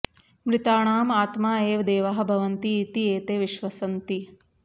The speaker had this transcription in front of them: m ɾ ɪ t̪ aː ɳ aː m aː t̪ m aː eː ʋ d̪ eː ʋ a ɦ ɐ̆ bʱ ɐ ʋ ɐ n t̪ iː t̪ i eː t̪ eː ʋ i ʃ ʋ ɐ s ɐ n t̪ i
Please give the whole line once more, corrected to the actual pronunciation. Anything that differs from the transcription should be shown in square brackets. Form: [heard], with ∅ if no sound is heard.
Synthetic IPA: m ɾ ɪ t̪ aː ɳ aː m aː t̪ m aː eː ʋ d̪ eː ʋ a ɦ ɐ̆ bʱ ɐ ʋ ɐ n t̪ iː t̪ i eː t̪ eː ʋ i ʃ ʋ ɐ s ɐ n t̪ i

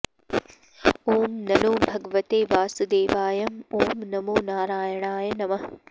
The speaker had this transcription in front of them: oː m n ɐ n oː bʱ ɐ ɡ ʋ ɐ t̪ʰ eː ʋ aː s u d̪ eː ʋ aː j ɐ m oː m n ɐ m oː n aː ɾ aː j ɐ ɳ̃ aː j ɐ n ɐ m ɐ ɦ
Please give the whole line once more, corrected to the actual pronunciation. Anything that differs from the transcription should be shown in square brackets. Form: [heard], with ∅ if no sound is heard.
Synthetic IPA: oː m n ɐ n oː bʱ ɐ ɡ ʋ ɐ [t̪] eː ʋ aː s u d̪ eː ʋ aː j ɐ m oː m n ɐ m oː n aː ɾ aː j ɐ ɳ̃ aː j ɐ n ɐ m ɐ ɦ

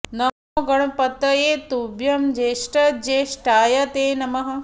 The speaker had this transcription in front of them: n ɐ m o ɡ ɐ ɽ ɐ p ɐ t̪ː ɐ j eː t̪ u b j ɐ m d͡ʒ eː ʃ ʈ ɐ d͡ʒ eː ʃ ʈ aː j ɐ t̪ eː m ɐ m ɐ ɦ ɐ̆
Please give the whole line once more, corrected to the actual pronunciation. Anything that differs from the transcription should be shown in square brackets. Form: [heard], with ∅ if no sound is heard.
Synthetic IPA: n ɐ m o ɡ ɐ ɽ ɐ p ɐ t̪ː ɐ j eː t̪ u b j ɐ m d͡ʒ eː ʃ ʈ ɐ d͡ʒ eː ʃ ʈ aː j ɐ t̪ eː [n] ɐ m ɐ ɦ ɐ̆

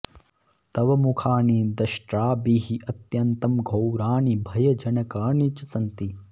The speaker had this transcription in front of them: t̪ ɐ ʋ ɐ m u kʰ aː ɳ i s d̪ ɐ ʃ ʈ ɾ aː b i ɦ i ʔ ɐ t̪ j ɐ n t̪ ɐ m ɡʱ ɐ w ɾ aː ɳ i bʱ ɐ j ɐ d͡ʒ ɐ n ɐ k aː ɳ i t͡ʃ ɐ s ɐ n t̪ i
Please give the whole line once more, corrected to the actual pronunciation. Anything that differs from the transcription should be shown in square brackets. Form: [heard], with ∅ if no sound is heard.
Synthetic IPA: t̪ ɐ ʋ ɐ m u kʰ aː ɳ i [∅] d̪ ɐ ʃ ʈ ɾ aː b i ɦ i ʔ ɐ t̪ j ɐ n t̪ ɐ m ɡʱ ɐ w ɾ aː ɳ i bʱ ɐ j ɐ d͡ʒ ɐ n ɐ k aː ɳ i t͡ʃ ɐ s ɐ n t̪ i

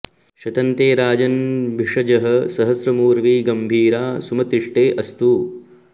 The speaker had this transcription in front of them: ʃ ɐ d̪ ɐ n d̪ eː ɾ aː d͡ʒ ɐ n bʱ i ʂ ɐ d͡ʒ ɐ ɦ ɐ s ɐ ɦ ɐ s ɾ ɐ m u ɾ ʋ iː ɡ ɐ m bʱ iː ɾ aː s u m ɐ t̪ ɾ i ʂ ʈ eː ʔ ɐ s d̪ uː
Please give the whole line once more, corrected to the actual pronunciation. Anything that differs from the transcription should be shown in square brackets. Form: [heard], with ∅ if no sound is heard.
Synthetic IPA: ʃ ɐ [t̪] ɐ n [t̪] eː ɾ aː d͡ʒ ɐ n bʱ i ʂ ɐ d͡ʒ ɐ ɦ ɐ s ɐ ɦ ɐ s ɾ ɐ m [uː] ɾ ʋ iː ɡ ɐ m bʱ iː ɾ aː s u m ɐ t̪ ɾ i ʂ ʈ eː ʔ ɐ s [t̪] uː

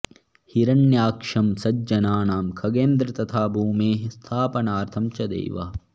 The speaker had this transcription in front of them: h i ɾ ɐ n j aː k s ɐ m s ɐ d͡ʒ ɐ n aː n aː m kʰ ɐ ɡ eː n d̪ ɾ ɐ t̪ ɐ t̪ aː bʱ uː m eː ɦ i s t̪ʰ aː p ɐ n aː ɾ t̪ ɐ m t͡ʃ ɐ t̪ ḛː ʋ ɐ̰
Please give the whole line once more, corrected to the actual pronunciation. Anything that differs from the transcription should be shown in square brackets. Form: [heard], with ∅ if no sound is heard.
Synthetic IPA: h i ɾ ɐ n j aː k [ʂ] ɐ m s ɐ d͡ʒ ɐ n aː n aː m kʰ ɐ ɡ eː n d̪ ɾ ɐ t̪ ɐ [t̪ʰ] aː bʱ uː m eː ɦ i s t̪ʰ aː p ɐ n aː ɾ [t̪ʰ] ɐ m t͡ʃ ɐ [d̪] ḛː ʋ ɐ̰

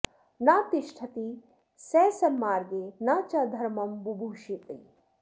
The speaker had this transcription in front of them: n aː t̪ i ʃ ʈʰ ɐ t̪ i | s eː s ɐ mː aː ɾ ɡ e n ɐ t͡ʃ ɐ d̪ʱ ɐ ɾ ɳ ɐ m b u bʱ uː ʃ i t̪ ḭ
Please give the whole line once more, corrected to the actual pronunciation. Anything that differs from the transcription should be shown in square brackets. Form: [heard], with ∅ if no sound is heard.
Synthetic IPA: n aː t̪ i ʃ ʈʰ ɐ t̪ i | s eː s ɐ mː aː ɾ ɡ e n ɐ t͡ʃ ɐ d̪ʱ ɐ ɾ [m] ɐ m b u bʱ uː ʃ i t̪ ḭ

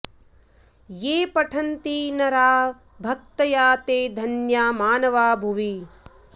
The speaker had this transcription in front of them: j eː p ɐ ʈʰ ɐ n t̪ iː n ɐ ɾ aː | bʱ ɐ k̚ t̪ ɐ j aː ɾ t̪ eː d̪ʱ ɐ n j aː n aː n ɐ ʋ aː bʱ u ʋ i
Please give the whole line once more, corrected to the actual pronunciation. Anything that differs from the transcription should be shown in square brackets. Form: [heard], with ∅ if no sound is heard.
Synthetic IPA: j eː p ɐ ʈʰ ɐ n t̪ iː n ɐ ɾ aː | bʱ ɐ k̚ t̪ ɐ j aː [∅] t̪ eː d̪ʱ ɐ n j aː [m] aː n ɐ ʋ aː bʱ u ʋ i

